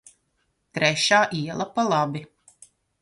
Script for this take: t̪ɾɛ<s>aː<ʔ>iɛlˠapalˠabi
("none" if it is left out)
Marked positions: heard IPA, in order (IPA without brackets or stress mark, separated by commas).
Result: ʃ, ʔ